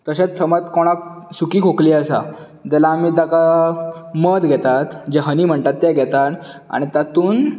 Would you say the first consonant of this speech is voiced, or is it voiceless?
voiceless